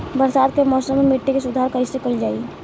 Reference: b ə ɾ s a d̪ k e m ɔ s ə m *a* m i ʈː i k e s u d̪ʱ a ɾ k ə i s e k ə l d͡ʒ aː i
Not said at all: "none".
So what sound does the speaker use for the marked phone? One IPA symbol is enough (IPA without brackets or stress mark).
e